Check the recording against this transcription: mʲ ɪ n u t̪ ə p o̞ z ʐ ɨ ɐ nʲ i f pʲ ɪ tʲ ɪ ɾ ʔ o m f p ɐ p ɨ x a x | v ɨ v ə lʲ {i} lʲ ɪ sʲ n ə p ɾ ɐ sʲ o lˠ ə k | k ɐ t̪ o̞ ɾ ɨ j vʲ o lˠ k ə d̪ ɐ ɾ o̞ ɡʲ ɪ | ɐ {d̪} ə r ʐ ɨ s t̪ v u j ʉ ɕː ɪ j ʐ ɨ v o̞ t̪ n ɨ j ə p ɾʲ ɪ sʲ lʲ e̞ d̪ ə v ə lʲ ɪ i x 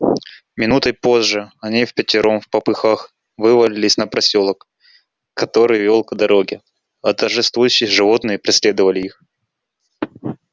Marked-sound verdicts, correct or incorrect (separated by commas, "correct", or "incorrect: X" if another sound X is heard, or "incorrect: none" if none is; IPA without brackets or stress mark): incorrect: ɪ, incorrect: t̪